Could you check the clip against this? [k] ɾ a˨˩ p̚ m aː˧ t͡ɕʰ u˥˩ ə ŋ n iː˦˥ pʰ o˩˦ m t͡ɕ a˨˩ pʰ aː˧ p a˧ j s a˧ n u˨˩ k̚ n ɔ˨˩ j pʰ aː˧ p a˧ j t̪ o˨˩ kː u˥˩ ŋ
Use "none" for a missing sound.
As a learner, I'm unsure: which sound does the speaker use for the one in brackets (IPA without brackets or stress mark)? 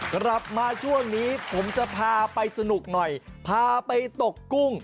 k